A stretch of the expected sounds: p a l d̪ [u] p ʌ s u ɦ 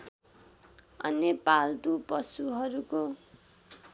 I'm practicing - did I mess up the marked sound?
no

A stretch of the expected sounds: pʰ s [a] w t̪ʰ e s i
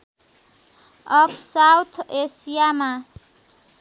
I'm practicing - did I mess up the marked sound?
no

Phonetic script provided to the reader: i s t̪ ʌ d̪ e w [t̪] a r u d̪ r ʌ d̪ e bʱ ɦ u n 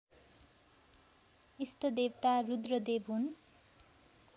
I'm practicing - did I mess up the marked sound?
no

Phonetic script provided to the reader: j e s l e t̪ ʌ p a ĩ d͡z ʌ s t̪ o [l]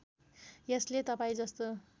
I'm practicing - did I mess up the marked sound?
yes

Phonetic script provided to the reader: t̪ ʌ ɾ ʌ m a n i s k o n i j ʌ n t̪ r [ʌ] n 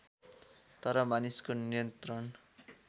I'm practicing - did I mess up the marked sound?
no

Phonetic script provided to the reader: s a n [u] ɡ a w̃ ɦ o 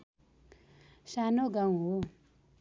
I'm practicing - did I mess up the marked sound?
yes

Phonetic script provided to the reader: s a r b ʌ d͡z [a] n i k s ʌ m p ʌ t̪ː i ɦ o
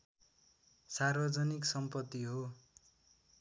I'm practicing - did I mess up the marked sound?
yes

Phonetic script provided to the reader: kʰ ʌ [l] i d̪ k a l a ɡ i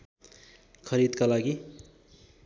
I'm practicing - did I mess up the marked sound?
yes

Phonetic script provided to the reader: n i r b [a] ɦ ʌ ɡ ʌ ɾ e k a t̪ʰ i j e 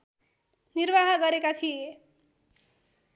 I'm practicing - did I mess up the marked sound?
no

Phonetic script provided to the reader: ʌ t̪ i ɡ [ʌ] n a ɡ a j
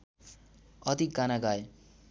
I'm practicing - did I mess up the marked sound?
yes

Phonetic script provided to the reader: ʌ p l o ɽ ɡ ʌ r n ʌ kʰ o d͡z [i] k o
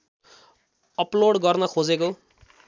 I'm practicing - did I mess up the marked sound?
yes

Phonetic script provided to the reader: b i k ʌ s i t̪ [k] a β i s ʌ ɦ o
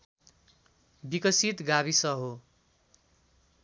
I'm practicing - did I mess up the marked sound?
yes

